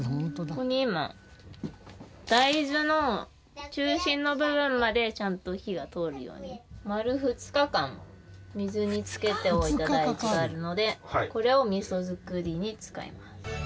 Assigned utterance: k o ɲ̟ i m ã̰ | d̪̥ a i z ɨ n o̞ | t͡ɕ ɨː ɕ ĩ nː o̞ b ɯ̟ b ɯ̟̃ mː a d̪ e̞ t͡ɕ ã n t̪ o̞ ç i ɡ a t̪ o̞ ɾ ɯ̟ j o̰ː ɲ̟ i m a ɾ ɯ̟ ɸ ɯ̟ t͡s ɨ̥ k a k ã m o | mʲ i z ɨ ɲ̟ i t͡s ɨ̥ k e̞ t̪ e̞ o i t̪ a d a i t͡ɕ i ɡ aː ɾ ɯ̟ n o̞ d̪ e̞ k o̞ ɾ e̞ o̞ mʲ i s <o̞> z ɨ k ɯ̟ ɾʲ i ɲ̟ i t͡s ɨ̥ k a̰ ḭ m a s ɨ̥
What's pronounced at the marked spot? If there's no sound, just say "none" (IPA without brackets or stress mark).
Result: o̞